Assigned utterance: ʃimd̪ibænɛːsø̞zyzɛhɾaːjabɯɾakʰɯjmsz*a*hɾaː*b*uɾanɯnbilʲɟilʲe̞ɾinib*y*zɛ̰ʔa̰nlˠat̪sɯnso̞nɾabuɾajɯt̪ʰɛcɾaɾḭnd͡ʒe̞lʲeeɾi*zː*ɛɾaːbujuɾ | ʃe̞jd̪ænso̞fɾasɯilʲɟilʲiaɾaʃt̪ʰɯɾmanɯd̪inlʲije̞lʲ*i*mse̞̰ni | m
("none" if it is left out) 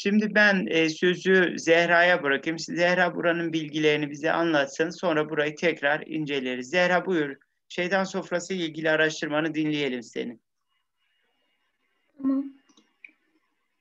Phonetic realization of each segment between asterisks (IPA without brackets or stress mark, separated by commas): ɛ, b, i, zː, i